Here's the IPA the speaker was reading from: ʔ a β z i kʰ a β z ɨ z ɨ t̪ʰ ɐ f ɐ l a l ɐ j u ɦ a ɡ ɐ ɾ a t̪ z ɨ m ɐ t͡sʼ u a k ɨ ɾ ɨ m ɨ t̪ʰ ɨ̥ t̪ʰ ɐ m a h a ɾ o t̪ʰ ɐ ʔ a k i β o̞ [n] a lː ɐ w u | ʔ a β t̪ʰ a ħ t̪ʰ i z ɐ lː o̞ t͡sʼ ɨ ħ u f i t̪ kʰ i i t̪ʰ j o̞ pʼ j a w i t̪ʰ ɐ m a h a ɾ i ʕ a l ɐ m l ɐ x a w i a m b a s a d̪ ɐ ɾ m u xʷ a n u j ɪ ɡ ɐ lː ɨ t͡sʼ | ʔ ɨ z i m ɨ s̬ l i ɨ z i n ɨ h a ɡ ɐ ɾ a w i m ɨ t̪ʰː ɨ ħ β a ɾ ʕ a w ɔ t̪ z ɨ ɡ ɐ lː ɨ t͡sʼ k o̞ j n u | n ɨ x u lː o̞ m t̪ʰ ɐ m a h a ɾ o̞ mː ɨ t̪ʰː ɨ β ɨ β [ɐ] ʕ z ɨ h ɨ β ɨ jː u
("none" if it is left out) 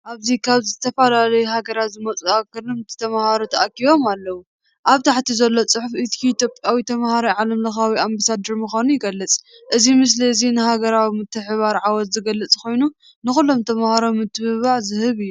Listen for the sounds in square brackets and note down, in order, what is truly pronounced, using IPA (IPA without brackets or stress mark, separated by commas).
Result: m, a